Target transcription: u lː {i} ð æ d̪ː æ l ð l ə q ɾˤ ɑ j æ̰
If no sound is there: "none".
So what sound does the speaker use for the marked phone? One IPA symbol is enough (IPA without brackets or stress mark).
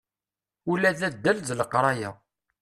æ